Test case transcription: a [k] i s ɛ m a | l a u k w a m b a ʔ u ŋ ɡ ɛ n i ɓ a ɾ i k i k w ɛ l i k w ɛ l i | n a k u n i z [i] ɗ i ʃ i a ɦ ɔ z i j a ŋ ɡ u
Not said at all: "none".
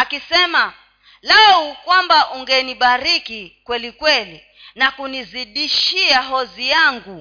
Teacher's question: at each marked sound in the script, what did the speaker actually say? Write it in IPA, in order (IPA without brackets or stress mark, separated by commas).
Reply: k, i